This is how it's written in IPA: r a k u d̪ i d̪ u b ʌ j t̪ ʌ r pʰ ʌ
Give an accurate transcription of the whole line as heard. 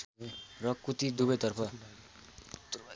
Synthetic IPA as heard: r ʌ k u t̪ i d̪ u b ʌ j t̪ ʌ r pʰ ʌ